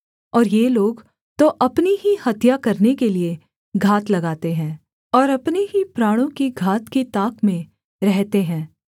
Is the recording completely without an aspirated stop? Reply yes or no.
yes